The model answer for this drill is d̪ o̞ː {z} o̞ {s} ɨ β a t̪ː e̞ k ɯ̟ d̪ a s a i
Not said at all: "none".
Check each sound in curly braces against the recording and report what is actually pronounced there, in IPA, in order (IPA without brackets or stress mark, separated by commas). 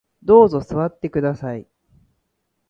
z, s